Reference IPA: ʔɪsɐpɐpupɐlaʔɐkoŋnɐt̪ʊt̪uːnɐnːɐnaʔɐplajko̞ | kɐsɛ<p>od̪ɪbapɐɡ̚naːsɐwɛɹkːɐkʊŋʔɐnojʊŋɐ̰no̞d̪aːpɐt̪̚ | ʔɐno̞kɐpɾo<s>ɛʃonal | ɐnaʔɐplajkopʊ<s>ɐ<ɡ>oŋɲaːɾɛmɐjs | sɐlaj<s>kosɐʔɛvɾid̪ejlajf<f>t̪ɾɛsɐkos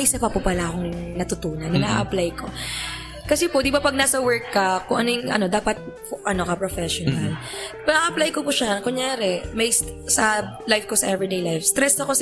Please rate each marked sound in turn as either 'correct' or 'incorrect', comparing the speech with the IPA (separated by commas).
correct, incorrect, incorrect, incorrect, incorrect, incorrect